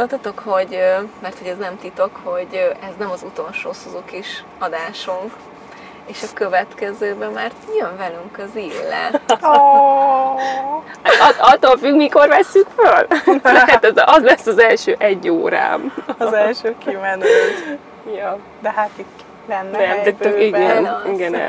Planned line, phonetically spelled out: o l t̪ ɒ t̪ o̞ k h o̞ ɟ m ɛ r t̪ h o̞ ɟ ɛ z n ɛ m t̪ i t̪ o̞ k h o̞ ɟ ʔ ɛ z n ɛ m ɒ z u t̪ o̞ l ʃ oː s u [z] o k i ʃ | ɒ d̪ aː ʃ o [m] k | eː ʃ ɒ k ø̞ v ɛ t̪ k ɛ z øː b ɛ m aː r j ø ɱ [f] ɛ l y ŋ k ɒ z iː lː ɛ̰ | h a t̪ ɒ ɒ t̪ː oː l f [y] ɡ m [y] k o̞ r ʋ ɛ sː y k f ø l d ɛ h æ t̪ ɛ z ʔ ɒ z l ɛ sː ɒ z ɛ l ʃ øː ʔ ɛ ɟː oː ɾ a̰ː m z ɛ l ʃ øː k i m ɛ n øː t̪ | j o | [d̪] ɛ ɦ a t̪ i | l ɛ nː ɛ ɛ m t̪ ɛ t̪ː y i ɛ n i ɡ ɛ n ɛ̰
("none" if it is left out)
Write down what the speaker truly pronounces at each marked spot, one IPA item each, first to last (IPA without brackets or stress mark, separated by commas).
z, ŋ, v, y, i, d̪